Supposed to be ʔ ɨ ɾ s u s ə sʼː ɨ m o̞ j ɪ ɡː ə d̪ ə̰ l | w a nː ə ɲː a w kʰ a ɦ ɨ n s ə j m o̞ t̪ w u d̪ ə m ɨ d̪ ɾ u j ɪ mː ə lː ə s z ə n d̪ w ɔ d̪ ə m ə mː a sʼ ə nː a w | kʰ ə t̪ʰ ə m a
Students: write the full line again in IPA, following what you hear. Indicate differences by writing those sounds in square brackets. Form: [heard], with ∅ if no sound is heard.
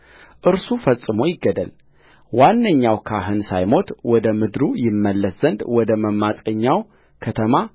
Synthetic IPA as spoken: ʔ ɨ ɾ s u [f] ə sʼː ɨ m o̞ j ɪ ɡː ə d̪ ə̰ l | w a nː ə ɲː a w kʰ a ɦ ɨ n s [a] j m o̞ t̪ w [ɔ] d̪ ə m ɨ d̪ ɾ u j ɪ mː ə lː ə s z ə n d̪ w ɔ d̪ ə m ə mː a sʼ ə [ɲː] a w | kʰ ə t̪ʰ ə m a